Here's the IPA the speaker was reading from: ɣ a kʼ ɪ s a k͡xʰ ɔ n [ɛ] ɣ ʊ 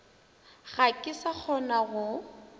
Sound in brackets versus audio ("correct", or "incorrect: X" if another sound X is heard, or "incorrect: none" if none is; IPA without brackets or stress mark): incorrect: a